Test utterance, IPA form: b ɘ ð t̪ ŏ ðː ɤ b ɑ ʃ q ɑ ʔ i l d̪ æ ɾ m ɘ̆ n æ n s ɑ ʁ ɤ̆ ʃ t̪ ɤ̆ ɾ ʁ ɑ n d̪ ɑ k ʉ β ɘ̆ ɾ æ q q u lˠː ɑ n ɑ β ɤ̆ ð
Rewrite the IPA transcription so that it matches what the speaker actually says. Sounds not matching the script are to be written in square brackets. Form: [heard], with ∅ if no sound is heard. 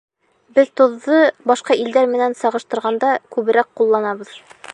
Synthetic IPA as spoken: b ɘ ð t̪ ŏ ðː ɤ b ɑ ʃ q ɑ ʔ i l d̪ æ ɾ m ɘ̆ n æ n s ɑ ʁ ɤ̆ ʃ t̪ ɤ̆ ɾ ʁ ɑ n d̪ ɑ k ʉ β ɘ̆ ɾ æ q q u lˠː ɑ n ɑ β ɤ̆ ð